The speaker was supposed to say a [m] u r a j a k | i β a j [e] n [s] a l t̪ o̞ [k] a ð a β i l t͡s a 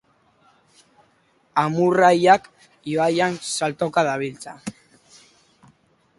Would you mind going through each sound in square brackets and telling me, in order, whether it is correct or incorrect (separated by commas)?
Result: correct, incorrect, correct, correct